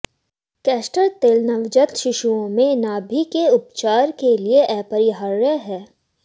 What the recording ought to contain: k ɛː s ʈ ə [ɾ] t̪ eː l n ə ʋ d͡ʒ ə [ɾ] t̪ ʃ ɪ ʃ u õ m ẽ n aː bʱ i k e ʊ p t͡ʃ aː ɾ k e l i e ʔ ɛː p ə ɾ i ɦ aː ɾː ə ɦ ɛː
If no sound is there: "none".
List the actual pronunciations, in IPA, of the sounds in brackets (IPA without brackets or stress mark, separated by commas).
ɾ, none